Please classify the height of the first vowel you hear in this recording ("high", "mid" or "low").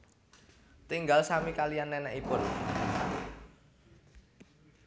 high